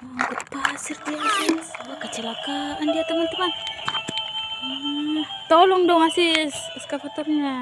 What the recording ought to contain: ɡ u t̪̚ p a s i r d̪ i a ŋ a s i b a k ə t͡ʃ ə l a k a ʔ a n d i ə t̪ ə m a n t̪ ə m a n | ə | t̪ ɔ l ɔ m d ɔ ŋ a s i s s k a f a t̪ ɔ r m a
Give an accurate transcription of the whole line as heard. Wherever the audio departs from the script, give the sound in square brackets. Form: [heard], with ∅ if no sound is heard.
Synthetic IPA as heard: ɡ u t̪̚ p a s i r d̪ i a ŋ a s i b a k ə t͡ʃ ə l a k a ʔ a n d i [a] t̪ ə m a n t̪ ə m a n | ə | t̪ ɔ l ɔ [ŋ] d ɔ ŋ a s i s s k a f a t̪ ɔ r [ɲ] a